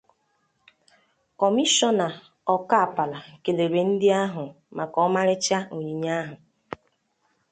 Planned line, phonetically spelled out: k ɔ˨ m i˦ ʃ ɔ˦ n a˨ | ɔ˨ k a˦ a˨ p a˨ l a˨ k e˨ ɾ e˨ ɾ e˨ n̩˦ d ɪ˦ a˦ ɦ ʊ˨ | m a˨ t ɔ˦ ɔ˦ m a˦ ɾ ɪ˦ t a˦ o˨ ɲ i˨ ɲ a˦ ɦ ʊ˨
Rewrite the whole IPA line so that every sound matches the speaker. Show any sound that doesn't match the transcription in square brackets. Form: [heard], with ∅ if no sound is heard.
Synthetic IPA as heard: k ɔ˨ m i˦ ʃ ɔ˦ n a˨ | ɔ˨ k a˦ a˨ p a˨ l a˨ k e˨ [l] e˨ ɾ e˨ n̩˦ d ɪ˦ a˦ ɦ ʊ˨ | m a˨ [k] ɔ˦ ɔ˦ m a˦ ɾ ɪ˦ [t͡ʃ] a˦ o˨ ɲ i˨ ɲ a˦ ɦ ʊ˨